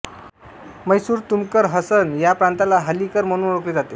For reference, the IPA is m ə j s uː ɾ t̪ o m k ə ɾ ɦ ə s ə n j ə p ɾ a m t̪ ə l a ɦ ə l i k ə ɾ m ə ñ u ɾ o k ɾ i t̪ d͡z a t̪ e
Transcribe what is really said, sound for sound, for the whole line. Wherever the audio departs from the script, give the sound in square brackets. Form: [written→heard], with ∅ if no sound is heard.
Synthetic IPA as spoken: m ə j s uː ɾ t̪ [o→u] m k ə ɾ ɦ ə s ə n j [ə→a] p ɾ a [m→n] t̪ [ə→a] l a ɦ ə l i k ə ɾ m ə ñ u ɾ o k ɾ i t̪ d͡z a t̪ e